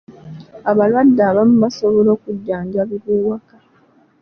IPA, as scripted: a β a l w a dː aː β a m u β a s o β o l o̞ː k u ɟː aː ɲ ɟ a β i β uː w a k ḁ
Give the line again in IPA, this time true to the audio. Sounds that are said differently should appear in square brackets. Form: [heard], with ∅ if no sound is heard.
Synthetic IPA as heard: a β a l w a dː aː β a m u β a s o β o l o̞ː k u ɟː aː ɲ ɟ a β i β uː w a k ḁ

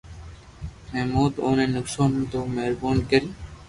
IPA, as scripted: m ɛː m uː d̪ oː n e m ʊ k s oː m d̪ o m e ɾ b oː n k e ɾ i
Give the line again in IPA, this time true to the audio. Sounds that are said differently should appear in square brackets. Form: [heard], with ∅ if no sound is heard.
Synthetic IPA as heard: m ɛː m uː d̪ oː n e [n] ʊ k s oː [n] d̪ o m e ɾ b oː n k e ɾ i

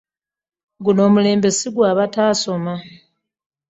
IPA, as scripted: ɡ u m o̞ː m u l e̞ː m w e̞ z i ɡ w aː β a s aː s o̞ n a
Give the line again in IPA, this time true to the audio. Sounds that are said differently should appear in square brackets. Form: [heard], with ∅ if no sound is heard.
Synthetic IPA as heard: ɡ u [n] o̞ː m u l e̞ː m [b] e̞ [s] i ɡ w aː β a [t] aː s o̞ [m] a

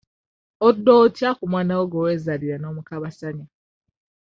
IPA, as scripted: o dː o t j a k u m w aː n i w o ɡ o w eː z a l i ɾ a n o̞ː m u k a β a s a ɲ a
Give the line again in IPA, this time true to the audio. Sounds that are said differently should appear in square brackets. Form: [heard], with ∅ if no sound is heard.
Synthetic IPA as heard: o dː o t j a k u m w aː n [a] w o ɡ o w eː z a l i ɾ a n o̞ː m u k a β a s a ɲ a

